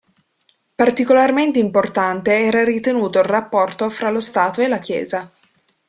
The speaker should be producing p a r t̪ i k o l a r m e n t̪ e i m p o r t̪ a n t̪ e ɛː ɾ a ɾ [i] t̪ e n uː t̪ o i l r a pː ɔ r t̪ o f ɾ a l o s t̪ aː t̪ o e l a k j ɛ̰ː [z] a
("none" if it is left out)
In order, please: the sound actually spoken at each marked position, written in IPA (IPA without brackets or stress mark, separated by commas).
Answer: i, z